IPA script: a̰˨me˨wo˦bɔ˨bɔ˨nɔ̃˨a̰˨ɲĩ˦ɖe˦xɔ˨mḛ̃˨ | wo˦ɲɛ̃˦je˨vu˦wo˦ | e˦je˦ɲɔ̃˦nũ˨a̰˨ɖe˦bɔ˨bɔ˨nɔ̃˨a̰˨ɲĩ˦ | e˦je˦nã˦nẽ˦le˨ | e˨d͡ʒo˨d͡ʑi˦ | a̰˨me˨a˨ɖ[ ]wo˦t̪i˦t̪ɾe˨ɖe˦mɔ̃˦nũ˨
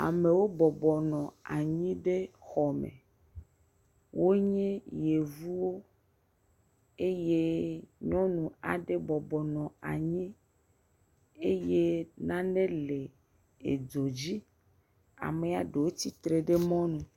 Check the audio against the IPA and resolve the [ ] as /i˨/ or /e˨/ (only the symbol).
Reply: e˨